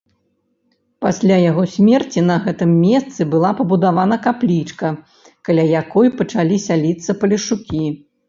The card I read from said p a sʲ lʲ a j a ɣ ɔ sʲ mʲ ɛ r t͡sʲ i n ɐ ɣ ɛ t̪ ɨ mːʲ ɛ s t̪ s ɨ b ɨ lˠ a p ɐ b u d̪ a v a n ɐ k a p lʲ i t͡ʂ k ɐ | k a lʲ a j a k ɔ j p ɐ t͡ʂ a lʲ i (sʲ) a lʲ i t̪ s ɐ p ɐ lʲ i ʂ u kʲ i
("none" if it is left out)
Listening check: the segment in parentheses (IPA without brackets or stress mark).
sʲ